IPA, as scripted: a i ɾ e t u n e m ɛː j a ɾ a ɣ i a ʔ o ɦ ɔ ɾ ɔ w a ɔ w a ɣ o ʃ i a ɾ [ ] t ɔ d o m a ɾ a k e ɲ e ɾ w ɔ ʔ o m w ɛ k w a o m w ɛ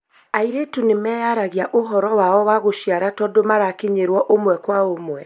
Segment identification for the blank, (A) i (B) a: B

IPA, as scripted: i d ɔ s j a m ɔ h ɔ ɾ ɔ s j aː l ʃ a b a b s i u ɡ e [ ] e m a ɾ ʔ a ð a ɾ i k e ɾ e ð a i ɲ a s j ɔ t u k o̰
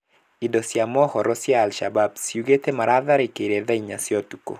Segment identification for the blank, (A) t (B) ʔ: A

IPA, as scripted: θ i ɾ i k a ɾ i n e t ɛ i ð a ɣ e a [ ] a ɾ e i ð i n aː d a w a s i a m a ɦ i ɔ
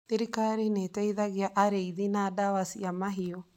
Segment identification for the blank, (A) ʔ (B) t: A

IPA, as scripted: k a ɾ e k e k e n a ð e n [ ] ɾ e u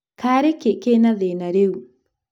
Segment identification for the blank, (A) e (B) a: B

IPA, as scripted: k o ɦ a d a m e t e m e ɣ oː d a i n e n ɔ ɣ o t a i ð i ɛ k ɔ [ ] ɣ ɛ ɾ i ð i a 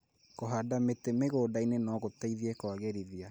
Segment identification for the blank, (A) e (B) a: B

